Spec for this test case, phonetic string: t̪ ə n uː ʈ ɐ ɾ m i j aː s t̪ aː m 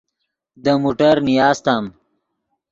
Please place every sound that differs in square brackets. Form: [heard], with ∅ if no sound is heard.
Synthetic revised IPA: [d̪] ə [m] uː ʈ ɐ ɾ [n] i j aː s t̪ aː m